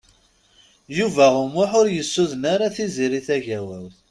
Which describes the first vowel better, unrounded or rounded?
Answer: rounded